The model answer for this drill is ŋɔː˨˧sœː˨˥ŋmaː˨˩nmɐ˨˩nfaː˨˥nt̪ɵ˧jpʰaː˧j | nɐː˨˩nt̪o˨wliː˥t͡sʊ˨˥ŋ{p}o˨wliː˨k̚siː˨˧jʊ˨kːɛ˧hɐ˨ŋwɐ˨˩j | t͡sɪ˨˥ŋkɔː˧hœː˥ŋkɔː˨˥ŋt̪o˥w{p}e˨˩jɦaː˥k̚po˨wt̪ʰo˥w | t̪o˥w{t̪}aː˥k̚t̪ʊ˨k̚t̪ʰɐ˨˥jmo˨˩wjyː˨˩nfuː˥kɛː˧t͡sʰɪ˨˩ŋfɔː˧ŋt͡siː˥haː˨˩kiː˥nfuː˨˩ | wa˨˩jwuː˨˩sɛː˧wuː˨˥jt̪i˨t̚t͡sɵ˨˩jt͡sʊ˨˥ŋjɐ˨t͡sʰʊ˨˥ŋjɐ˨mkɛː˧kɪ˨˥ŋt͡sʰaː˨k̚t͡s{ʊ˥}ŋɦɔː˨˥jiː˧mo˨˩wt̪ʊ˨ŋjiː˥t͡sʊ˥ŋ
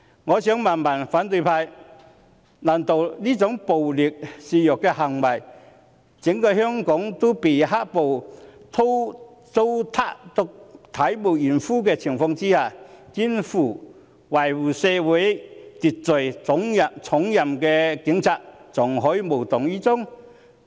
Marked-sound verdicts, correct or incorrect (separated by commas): correct, correct, incorrect, incorrect